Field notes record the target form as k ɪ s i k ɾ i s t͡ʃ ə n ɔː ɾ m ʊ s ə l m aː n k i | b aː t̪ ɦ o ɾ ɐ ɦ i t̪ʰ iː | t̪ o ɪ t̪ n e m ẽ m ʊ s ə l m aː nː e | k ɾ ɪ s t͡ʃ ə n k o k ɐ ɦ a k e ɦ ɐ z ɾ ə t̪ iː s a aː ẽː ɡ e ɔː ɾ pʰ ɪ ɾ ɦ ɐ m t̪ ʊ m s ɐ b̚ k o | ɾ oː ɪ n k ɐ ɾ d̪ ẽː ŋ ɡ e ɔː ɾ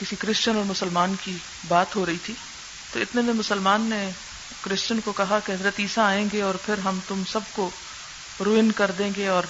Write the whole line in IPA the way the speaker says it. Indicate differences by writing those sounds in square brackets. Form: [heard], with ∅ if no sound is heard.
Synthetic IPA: k ɪ s i k ɾ [ɪ] s t͡ʃ ə n ɔː ɾ m ʊ s ə l m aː n k i | b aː t̪ ɦ o ɾ ɐ ɦ i t̪ʰ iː | t̪ o ɪ t̪ n e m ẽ m ʊ s ə l m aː nː e | k ɾ ɪ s t͡ʃ ə n k o k ɐ ɦ a k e ɦ ɐ z ɾ ə t̪ iː s a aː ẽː ɡ e ɔː ɾ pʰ ɪ ɾ ɦ ɐ m t̪ ʊ m s ɐ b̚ k o | ɾ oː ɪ n k ɐ ɾ d̪ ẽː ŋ ɡ e ɔː ɾ